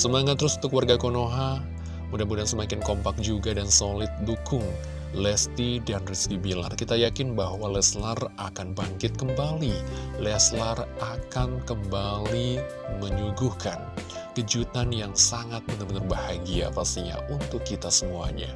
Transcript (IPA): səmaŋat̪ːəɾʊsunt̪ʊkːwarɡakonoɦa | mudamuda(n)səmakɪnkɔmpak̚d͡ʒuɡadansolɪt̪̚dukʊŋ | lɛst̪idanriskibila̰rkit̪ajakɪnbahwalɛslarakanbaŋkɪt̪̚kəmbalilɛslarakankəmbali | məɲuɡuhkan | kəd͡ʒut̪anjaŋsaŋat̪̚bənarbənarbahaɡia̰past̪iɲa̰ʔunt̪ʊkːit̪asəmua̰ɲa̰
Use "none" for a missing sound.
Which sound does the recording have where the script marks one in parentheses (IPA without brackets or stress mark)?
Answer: n